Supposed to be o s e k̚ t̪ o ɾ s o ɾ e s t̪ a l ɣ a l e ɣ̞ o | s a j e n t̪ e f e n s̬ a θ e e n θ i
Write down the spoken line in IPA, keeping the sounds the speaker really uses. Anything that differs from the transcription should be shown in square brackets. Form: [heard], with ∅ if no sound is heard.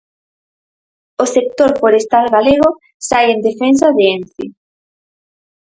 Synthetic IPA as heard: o s e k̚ t̪ o ɾ [f] o ɾ e s t̪ a l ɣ a l e ɣ̞ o | s a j e n [d̪] e f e n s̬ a [ð] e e n θ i